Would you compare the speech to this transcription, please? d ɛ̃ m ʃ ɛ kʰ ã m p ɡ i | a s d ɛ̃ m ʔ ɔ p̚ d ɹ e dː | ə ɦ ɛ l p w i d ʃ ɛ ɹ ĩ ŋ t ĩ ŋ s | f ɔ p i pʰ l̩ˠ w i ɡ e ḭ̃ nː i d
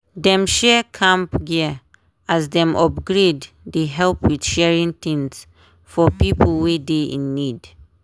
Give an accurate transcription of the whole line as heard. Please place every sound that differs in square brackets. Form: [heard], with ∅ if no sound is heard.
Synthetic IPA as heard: d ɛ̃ m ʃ ɛ kʰ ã m p ɡ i | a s d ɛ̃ m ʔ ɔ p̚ [ɡ] ɹ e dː | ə ɦ ɛ l p w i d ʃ ɛ ɹ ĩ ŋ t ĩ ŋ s | f ɔ p i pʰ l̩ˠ w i [d] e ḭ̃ nː i d